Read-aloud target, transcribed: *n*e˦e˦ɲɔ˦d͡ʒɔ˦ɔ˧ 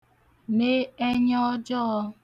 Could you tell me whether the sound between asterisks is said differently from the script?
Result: yes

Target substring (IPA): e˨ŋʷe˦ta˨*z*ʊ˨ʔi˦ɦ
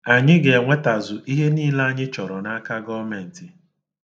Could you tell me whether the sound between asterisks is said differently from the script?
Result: no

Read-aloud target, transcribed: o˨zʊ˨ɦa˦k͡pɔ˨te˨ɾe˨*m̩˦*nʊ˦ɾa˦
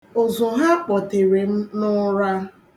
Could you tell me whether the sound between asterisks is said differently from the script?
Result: no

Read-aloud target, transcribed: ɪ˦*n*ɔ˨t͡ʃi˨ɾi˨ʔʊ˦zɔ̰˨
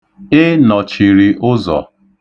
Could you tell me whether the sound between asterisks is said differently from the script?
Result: no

